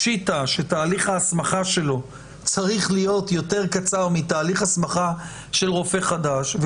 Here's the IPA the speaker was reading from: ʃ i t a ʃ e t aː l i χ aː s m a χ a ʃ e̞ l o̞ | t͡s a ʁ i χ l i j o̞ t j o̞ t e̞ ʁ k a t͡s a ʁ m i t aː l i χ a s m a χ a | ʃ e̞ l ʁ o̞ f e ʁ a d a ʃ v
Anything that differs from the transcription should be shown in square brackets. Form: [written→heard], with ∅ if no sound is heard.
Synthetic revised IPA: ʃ i t a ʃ e t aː l i χ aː s m a χ a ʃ e̞ l o̞ | t͡s a ʁ i χ l i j o̞ t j o̞ t e̞ ʁ k a t͡s a ʁ m i t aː l i χ a s m a χ a | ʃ e̞ l ʁ o̞ f e [ʁ→χ] a d a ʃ v